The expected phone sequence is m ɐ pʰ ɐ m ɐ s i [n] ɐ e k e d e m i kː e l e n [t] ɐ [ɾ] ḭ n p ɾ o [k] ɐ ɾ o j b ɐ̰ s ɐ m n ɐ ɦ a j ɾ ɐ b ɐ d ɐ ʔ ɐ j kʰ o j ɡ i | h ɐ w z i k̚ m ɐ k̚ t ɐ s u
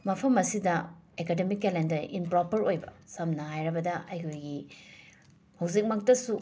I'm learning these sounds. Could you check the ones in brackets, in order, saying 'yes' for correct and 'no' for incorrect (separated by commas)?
no, no, yes, no